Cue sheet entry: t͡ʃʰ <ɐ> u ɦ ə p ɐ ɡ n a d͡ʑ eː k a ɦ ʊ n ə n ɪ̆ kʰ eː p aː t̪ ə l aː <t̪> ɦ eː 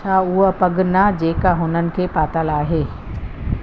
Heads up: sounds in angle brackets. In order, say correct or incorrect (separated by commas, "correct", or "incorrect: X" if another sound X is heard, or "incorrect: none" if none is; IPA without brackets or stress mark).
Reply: incorrect: a, incorrect: none